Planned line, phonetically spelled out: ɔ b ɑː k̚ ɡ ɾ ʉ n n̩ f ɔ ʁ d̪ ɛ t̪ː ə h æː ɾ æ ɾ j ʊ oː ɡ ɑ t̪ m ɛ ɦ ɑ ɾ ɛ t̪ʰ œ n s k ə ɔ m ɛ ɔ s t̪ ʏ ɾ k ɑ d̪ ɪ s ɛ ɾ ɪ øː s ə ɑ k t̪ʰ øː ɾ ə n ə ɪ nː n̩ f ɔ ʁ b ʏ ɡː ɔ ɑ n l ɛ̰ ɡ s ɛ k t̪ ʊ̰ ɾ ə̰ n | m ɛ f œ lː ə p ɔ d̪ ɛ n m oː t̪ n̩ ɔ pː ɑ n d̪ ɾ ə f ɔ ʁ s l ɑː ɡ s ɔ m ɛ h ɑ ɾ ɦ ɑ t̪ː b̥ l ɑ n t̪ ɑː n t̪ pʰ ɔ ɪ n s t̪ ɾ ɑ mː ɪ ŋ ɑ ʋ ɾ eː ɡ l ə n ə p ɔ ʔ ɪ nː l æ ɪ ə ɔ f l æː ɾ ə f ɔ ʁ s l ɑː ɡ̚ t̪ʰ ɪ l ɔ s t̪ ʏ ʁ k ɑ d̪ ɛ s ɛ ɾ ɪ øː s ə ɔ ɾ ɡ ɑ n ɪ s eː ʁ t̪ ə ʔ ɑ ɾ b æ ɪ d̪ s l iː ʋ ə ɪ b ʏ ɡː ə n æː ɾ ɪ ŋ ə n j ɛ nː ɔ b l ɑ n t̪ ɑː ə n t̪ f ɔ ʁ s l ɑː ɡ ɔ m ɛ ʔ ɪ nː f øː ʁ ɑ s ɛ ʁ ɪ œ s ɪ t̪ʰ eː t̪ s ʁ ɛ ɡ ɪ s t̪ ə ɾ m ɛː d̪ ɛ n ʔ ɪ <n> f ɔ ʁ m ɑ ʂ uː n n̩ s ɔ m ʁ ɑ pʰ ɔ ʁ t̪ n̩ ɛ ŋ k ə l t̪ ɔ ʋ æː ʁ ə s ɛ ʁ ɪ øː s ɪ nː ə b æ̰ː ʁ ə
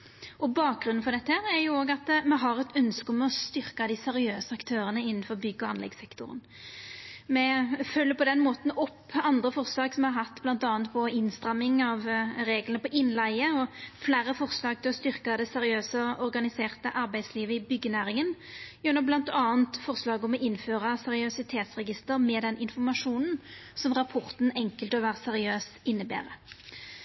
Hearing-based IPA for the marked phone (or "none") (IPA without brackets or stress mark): n